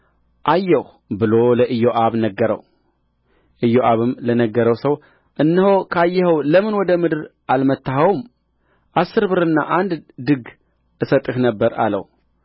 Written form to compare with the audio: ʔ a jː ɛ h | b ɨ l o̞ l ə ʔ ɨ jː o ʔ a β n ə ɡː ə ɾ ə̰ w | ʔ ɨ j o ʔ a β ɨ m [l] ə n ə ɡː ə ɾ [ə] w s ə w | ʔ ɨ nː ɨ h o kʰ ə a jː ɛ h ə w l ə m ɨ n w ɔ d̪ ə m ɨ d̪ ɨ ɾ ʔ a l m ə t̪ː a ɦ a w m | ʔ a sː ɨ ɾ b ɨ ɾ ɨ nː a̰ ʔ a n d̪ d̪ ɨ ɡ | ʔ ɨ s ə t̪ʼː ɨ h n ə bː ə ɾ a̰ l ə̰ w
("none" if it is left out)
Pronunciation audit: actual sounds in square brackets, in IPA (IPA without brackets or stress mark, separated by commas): l, ə